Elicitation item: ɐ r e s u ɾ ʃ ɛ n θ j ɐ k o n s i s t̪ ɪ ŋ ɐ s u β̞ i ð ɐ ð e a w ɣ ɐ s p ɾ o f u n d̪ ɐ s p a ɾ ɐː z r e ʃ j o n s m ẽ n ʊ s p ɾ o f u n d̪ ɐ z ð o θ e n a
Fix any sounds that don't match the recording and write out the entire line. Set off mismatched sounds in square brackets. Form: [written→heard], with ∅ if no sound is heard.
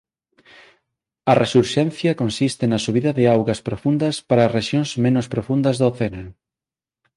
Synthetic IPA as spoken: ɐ r e s u ɾ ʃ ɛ n θ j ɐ k o n s i s t̪ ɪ [ŋ→n] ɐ s u β̞ i ð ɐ ð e a w ɣ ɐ s p ɾ o f u n d̪ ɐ s p a ɾ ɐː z r e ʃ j o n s m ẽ n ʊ s p ɾ o f u n d̪ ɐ z ð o θ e n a